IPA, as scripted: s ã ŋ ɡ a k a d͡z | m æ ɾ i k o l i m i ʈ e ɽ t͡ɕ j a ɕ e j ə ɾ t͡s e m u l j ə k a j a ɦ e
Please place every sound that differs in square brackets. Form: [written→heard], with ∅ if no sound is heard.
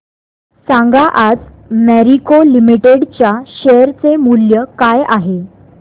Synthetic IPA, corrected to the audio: s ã ŋ ɡ a [k→ʔ] a d͡z | m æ ɾ i k o l i m i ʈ e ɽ t͡ɕ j a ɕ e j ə ɾ t͡s e m u l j ə k a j a ɦ e